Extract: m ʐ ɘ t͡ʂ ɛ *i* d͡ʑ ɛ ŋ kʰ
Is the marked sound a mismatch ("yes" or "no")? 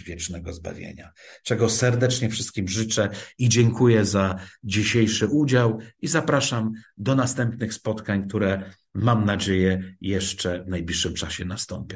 no